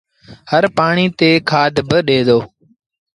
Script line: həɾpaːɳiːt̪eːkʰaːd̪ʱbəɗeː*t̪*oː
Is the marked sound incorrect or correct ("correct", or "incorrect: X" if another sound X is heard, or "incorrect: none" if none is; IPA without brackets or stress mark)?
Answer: incorrect: d̪